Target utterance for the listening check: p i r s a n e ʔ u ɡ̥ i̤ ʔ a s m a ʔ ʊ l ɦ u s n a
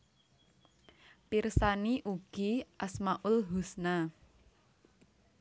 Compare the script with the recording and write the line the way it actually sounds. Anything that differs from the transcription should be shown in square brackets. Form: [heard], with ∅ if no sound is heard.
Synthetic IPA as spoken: p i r s a n [i] ʔ u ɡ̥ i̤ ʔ a s m a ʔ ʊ l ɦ u s n a